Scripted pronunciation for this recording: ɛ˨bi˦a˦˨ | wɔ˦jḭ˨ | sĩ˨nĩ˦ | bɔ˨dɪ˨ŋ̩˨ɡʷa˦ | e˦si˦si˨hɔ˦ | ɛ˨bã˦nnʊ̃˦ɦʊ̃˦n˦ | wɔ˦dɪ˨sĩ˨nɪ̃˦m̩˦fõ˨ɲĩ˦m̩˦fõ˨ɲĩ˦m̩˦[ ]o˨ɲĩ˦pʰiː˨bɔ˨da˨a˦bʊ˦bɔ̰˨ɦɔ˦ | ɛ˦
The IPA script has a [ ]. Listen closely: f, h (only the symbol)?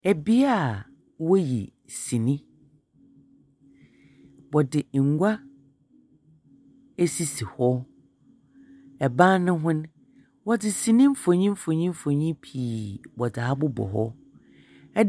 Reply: f